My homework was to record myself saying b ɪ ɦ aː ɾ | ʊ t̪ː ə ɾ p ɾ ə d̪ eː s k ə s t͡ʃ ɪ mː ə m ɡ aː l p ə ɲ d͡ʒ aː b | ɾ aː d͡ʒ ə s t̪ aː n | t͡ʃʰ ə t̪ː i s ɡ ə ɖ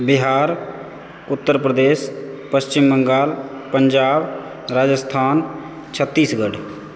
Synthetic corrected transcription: b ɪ ɦ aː ɾ | ʊ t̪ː ə ɾ p ɾ ə d̪ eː s p ə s t͡ʃ ɪ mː ə ŋ ɡ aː l p ə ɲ d͡ʒ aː b | ɾ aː d͡ʒ ə s t̪ʰ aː n | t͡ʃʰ ə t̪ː iː s ɡ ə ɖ